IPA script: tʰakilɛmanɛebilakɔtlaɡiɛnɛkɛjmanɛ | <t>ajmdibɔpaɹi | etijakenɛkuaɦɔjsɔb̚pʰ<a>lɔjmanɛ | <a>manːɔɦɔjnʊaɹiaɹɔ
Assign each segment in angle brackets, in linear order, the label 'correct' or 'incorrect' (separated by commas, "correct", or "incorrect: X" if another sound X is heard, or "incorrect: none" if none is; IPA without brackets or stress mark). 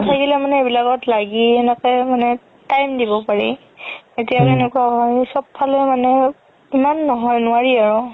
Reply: correct, correct, incorrect: i